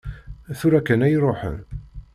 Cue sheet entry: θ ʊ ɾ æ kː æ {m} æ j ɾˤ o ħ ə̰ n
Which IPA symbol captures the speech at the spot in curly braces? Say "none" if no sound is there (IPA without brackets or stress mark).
n